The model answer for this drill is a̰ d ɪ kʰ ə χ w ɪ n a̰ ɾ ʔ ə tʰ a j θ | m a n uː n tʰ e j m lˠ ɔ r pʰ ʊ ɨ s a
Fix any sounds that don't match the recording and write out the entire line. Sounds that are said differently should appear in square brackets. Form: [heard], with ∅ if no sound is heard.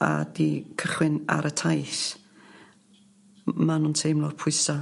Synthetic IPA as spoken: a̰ d [i] kʰ ə χ w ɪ n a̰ ɾ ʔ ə tʰ a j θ | m a n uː n tʰ e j m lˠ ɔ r pʰ ʊ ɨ s a